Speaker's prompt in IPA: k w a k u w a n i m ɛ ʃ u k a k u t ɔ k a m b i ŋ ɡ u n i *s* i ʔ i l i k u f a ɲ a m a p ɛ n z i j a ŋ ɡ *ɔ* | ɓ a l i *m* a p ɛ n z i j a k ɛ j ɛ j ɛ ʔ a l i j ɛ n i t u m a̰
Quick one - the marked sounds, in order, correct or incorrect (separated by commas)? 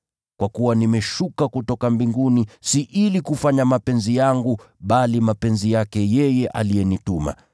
correct, incorrect, correct